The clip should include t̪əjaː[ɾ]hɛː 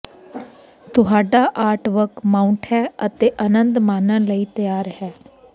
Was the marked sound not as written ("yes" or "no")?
no